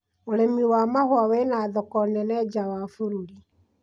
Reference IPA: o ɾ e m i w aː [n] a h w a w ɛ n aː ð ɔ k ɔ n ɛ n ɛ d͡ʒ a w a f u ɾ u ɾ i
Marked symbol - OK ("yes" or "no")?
no